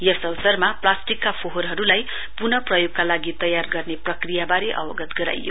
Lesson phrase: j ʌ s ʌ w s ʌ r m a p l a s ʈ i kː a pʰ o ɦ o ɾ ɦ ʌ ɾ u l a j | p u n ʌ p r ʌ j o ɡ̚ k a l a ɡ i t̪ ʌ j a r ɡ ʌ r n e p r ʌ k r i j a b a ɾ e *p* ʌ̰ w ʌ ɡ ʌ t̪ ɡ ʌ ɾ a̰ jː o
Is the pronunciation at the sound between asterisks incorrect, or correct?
incorrect